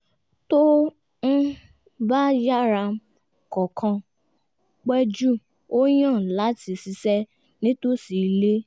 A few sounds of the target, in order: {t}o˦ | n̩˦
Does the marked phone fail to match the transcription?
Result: no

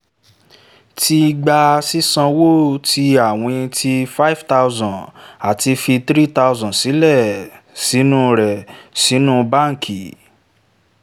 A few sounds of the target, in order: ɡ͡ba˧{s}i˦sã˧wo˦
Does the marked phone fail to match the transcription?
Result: no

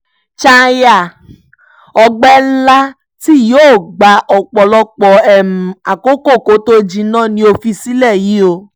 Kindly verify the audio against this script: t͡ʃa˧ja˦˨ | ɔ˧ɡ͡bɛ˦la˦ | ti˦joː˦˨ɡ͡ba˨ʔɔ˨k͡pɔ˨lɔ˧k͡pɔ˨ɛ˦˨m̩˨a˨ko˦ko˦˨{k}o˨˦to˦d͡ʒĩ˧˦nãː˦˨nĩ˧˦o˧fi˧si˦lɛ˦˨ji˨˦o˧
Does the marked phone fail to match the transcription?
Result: no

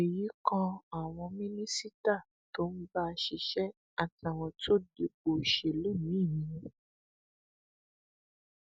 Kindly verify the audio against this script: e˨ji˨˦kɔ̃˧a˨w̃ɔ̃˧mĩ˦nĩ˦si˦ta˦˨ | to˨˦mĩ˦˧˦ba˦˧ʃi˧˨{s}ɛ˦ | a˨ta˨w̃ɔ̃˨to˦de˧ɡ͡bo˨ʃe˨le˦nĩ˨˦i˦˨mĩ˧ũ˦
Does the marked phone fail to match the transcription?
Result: yes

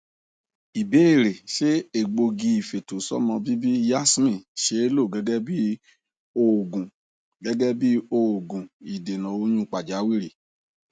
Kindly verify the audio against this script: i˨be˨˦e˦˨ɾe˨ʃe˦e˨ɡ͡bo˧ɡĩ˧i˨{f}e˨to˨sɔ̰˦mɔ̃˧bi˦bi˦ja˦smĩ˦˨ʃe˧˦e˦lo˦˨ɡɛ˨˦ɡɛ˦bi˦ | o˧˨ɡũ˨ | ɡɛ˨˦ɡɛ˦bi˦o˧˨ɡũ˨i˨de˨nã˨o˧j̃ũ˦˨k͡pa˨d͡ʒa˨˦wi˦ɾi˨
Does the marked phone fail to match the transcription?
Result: no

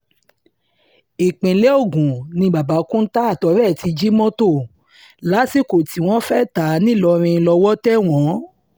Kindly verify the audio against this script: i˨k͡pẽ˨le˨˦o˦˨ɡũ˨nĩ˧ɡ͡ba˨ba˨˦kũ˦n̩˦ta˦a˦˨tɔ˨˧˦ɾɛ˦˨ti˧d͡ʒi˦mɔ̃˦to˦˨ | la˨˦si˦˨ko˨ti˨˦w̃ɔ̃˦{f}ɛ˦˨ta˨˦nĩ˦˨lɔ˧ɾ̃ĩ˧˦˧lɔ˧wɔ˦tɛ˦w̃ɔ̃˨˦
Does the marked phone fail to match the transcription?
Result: no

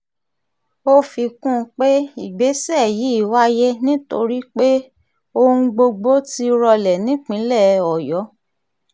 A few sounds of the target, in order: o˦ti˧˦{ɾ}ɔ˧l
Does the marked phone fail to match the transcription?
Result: no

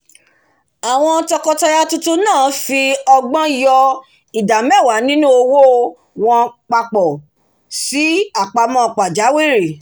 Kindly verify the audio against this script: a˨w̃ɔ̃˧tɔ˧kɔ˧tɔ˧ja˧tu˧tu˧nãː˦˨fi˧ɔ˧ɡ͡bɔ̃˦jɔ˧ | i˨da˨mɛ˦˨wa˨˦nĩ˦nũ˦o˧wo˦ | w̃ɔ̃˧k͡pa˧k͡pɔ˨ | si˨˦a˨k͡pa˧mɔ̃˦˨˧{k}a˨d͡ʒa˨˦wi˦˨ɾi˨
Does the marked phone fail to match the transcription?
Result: yes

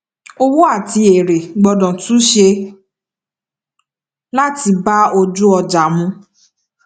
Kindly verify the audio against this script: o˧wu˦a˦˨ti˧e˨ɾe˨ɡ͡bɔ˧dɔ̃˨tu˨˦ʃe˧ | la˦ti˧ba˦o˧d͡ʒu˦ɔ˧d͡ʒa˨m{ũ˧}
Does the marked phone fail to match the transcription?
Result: no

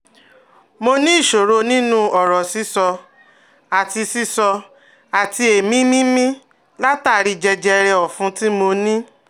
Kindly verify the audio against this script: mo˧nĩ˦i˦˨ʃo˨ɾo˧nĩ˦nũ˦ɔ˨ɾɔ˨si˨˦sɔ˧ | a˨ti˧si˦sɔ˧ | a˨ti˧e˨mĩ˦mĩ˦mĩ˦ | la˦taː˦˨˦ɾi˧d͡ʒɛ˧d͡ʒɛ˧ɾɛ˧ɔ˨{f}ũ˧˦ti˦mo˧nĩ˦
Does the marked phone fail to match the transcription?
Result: no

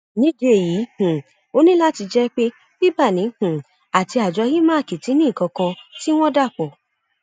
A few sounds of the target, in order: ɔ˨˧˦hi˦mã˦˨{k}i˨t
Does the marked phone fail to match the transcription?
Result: no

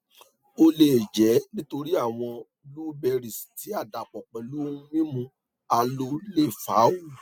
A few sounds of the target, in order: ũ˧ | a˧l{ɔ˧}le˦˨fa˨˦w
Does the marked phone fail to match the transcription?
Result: yes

